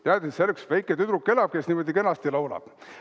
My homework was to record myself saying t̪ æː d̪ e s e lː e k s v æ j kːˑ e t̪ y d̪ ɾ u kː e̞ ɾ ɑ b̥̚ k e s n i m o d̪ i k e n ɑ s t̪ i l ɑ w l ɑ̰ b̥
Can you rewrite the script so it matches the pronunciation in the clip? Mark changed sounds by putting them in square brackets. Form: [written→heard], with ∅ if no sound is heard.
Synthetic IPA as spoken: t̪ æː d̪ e s e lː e k s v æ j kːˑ e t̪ y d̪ ɾ u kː e̞ [ɾ→l] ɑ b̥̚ k e s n i m o d̪ i k e n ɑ s t̪ i l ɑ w l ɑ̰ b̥